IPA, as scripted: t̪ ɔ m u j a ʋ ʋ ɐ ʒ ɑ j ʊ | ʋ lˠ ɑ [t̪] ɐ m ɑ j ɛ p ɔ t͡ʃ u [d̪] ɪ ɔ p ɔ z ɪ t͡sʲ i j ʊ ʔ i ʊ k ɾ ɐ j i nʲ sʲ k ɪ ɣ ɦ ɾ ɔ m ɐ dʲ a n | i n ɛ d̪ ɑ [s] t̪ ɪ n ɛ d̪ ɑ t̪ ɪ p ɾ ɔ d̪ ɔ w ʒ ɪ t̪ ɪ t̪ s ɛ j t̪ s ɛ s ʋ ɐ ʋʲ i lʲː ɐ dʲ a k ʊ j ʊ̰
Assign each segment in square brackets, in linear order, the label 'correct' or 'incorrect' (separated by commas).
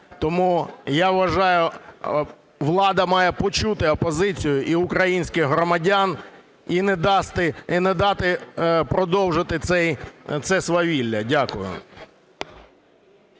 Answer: incorrect, incorrect, correct